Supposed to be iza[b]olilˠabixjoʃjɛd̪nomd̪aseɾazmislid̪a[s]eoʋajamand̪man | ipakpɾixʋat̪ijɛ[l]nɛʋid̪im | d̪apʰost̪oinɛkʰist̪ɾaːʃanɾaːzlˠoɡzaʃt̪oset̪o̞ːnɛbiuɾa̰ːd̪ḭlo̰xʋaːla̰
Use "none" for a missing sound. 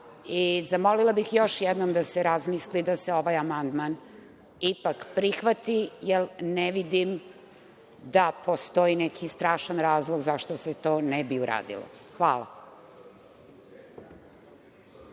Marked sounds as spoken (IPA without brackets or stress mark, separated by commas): m, s, l